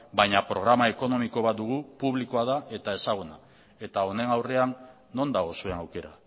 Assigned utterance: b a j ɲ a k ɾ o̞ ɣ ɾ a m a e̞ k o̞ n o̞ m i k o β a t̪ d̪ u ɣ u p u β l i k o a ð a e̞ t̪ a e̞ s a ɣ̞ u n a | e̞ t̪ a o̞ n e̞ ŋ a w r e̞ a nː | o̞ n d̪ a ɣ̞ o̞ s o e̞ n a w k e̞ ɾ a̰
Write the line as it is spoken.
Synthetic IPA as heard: b a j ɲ a p ɾ o̞ ɣ ɾ a m a e̞ k o̞ n o̞ m i k o β a t̪ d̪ u ɣ u p u β l i k o a ð a e̞ t̪ a e̞ s a ɣ̞ u n a | e̞ t̪ a o̞ n e̞ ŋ a w r e̞ a nː | o̞ n d̪ a ɣ̞ o̞ s u e̞ n a w k e̞ ɾ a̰